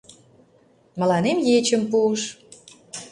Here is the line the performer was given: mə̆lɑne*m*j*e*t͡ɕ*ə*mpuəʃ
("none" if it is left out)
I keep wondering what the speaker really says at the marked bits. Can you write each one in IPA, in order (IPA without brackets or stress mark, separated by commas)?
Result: m, e, ə